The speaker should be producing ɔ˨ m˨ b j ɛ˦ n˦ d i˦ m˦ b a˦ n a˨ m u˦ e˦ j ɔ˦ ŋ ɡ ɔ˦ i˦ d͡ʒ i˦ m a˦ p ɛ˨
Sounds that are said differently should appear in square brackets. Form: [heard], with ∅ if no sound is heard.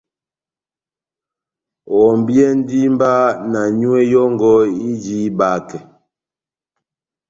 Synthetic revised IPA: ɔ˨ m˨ b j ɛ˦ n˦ d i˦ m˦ b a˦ n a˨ [ɲ] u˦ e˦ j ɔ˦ ŋ ɡ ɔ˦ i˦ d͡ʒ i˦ [b] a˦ [k] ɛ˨